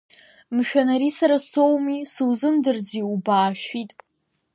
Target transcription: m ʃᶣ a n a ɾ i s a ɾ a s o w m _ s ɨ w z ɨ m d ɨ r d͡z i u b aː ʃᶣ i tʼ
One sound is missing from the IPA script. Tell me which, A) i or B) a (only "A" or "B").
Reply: A